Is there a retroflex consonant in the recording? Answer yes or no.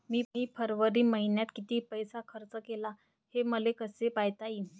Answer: no